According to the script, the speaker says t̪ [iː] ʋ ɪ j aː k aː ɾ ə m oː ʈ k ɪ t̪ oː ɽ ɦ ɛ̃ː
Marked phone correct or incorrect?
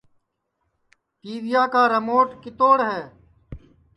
correct